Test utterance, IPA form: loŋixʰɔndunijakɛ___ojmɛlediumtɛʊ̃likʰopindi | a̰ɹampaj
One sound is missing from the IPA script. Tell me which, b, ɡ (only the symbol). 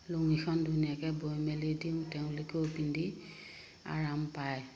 b